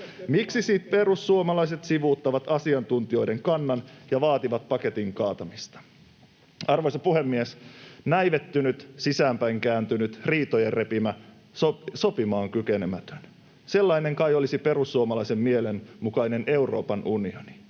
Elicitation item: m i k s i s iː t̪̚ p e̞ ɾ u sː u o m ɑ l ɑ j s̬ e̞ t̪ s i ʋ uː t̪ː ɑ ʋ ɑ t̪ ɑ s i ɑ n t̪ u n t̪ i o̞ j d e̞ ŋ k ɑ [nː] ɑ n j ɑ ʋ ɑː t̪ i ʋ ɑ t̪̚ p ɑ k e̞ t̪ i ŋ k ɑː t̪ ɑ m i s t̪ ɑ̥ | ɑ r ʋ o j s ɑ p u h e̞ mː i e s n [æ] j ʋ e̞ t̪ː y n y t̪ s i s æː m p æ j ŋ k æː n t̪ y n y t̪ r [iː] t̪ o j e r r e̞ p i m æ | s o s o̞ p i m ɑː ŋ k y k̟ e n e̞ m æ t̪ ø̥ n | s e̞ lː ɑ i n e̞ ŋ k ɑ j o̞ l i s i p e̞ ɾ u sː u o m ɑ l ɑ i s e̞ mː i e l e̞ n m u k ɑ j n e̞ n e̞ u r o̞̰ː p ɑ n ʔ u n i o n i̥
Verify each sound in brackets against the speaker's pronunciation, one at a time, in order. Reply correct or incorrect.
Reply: correct, correct, correct

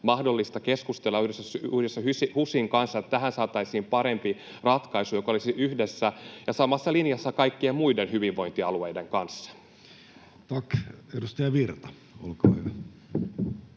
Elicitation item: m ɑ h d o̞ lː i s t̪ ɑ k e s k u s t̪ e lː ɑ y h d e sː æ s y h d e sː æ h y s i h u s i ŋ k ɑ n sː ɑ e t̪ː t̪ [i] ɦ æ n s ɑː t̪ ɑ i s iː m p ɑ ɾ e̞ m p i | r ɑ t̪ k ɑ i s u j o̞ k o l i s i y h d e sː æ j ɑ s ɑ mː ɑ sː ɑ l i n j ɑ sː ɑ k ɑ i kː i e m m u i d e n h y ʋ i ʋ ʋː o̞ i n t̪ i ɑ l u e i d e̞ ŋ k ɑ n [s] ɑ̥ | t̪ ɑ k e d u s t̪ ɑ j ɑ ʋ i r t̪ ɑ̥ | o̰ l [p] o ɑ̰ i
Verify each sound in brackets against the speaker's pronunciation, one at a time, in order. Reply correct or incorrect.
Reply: incorrect: æ, incorrect: sː, incorrect: k

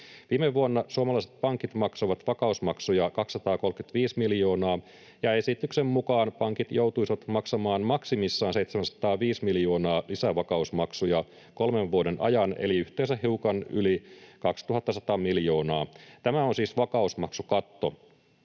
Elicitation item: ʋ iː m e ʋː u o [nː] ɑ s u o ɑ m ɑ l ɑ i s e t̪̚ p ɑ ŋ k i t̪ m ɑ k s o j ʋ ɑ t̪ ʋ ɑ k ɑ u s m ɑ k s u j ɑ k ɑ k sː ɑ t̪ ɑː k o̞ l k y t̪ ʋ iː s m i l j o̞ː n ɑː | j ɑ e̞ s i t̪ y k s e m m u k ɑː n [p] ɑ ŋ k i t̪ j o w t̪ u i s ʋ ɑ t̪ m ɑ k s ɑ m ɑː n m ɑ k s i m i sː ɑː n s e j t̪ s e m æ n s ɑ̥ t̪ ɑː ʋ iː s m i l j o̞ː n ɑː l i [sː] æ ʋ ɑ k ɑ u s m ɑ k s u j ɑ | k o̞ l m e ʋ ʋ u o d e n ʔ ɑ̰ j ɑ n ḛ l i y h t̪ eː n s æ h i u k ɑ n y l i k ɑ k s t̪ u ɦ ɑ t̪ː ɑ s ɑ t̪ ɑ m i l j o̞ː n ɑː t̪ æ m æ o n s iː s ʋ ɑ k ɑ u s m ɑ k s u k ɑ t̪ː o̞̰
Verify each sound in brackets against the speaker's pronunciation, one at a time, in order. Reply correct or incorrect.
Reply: correct, correct, incorrect: s

